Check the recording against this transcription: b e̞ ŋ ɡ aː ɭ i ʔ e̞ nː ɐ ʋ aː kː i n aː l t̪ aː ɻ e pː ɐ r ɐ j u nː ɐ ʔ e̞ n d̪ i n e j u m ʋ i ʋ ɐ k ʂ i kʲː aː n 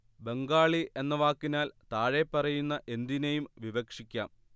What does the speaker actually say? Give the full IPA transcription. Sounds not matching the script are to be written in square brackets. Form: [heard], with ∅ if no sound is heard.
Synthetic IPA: b e̞ ŋ ɡ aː ɭ i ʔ e̞ nː ɐ ʋ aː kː i n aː l t̪ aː ɻ e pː ɐ r ɐ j u nː ɐ ʔ e̞ n d̪ i n e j u m ʋ i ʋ ɐ k ʂ i kʲː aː [m]

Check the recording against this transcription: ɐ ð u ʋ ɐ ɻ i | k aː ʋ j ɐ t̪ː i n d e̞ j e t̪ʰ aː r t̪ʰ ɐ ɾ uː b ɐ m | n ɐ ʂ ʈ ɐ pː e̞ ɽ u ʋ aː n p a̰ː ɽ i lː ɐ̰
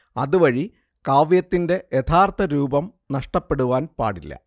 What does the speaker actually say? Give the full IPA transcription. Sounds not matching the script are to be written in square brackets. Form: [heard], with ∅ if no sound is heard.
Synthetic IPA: ɐ ð u ʋ ɐ ɻ i | k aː ʋ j ɐ t̪ː i n d e̞ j e t̪ʰ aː r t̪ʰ ɐ ɾ uː b ɐ m | n ɐ ʂ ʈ ɐ pː e̞ ɽ u ʋ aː n p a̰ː ɽ i lː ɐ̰

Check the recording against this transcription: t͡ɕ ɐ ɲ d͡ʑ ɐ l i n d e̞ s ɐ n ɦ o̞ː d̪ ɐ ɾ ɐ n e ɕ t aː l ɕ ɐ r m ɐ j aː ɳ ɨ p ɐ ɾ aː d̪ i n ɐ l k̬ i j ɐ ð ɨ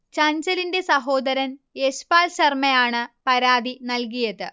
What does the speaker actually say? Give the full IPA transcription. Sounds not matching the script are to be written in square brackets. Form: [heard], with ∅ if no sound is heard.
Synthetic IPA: t͡ɕ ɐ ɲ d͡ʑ ɐ l i n d e̞ s ɐ [∅] ɦ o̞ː d̪ ɐ ɾ ɐ n e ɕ [p] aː l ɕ ɐ r m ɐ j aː ɳ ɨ p ɐ ɾ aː d̪ i n ɐ l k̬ i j ɐ ð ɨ

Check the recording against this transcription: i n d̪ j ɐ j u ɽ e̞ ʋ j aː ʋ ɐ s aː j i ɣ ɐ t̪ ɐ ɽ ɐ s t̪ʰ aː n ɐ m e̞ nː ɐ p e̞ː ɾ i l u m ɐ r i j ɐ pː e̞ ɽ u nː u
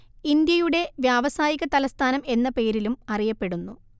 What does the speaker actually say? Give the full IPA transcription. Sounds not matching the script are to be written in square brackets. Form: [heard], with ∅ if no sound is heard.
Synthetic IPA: i n d̪ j ɐ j u ɽ e̞ ʋ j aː ʋ ɐ s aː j i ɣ ɐ t̪ ɐ [l] ɐ s t̪ʰ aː n ɐ m e̞ nː ɐ p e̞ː ɾ i l u m ɐ r i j ɐ pː e̞ ɽ u nː u

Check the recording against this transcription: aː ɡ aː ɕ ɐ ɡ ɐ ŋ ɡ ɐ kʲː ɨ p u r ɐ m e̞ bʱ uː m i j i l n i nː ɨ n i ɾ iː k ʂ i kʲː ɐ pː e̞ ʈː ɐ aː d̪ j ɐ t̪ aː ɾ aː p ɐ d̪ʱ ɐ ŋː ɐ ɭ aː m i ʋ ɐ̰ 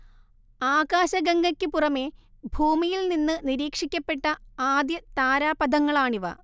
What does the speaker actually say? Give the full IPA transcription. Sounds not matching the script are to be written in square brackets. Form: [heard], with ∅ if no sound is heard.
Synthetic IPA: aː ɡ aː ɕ ɐ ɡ ɐ ŋ ɡ ɐ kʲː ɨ p u r ɐ m e̞ bʱ uː m i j i l n i nː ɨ n i ɾ iː k ʂ i kʲː ɐ pː e̞ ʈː ɐ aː d̪ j ɐ t̪ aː ɾ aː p ɐ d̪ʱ ɐ ŋː ɐ ɭ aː [ɳ] i ʋ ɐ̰

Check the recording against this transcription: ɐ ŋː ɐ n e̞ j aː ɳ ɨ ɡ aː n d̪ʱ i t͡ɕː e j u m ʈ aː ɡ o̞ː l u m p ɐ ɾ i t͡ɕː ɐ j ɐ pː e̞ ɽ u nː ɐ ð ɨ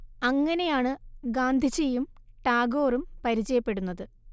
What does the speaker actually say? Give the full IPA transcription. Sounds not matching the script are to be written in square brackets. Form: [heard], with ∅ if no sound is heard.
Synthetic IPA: ɐ ŋː ɐ n e̞ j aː ɳ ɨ ɡ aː n d̪ʱ i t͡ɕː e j u m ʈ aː ɡ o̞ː [r] u m p ɐ ɾ i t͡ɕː ɐ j ɐ pː e̞ ɽ u nː ɐ ð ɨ

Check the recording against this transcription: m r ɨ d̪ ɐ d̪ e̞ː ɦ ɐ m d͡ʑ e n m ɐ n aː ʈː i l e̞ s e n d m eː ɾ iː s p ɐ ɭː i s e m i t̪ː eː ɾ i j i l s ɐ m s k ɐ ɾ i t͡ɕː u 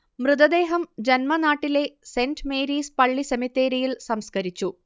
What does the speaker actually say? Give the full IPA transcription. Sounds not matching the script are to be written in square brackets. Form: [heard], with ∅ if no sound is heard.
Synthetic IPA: m r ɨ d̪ ɐ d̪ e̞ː ɦ ɐ m d͡ʑ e n m ɐ n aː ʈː i l e̞ s e n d m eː ɾ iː s p ɐ ɭː i s e m i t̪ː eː ɾ i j i l s ɐ m s k ɐ ɾ i t͡ɕː u

